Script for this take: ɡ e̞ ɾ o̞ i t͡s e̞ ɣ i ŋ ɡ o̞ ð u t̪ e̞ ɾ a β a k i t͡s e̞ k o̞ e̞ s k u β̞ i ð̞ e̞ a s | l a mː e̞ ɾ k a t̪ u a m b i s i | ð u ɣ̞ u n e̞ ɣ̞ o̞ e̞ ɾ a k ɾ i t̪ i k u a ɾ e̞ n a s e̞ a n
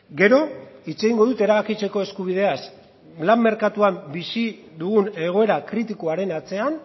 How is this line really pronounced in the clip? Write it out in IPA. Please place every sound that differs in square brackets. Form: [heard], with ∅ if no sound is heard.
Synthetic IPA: ɡ e̞ ɾ o̞ i t͡s e̞ ɣ i ŋ ɡ o̞ ð u t̪ e̞ ɾ a β a k i t͡s e̞ k o̞ e̞ s k u β̞ i ð̞ e̞ a s | l a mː e̞ ɾ k a t̪ u a m b i s i | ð u ɣ̞ u n e̞ ɣ̞ o̞ e̞ ɾ a k ɾ i t̪ i k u a ɾ e̞ n a [t͡s] e̞ a n